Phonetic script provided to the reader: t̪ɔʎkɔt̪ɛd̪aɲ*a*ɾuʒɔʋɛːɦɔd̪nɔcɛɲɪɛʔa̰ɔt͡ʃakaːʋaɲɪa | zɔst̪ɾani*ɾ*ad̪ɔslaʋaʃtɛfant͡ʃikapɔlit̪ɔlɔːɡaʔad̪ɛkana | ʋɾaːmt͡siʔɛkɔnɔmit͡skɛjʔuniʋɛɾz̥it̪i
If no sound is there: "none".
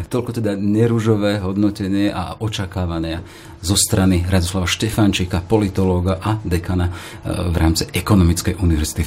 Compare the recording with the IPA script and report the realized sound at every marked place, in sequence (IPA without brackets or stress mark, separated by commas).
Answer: ɛ, ɾ